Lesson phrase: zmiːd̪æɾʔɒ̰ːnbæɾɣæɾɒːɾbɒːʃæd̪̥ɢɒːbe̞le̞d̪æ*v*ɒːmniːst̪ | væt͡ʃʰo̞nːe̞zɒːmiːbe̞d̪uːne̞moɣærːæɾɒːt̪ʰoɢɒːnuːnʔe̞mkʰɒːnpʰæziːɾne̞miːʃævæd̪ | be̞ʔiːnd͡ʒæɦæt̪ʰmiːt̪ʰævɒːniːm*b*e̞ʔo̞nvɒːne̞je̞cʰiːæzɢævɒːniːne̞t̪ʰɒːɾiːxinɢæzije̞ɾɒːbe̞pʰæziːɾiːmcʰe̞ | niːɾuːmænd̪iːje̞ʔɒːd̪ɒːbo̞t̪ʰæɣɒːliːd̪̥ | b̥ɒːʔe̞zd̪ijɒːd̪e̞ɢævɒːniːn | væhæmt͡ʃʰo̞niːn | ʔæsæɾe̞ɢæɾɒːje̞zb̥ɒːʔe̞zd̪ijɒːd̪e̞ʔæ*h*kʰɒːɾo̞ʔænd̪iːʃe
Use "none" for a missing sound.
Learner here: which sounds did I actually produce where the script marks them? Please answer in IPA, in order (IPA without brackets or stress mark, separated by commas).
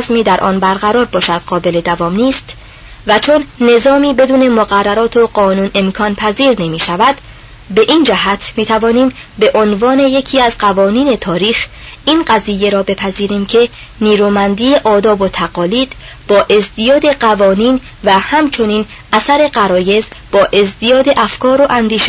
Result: v, b, f